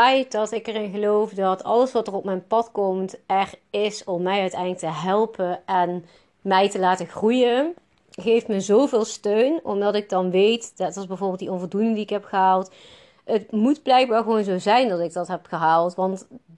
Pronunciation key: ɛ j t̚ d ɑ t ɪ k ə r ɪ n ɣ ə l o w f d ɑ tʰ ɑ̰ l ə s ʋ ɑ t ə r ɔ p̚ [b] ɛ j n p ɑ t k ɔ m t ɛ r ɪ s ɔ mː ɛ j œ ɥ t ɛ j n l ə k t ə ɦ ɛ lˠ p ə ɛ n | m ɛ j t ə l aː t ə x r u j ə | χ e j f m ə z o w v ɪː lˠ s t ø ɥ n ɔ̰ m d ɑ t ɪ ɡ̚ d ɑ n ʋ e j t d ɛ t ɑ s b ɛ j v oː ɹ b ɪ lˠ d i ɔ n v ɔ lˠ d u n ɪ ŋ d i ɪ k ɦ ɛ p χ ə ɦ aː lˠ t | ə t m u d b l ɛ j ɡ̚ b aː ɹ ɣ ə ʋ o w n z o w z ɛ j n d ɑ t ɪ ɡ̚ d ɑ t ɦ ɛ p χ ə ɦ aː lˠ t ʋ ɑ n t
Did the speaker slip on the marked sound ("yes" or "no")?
yes